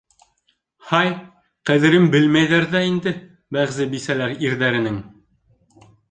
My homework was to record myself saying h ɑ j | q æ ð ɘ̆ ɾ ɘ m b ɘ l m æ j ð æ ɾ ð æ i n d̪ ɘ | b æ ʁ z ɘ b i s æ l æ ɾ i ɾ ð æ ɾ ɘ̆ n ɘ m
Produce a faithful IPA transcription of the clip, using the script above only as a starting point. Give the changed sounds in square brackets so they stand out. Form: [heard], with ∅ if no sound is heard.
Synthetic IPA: h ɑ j | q æ ð ɘ̆ ɾ ɘ m b ɘ l m æ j ð æ ɾ ð æ i n d̪ ɘ | b æ ʁ z ɘ b i s æ l æ ɾ i ɾ ð æ ɾ ɘ̆ n ɘ [ŋ]